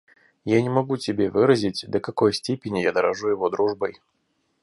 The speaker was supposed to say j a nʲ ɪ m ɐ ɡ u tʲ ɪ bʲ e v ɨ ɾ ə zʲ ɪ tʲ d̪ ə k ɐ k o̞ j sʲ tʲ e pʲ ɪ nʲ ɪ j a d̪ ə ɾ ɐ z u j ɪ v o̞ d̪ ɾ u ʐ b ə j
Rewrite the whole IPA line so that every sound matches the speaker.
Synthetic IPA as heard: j a nʲ ɪ m ɐ ɡ u tʲ ɪ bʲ e v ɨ ɾ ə zʲ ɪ tʲ d̪ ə k ɐ k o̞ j sʲ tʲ e pʲ ɪ nʲ ɪ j a d̪ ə ɾ ɐ ʐ u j ɪ v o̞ d̪ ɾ u ʐ b ə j